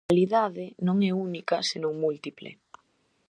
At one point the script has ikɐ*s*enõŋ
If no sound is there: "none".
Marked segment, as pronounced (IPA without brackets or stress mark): s